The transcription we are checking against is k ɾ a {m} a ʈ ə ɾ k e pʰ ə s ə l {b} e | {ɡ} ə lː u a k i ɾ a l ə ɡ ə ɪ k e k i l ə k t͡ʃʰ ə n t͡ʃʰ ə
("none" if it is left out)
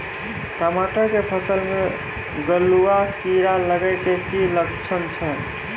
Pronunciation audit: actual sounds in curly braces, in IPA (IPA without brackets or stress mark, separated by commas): m, m, ɡ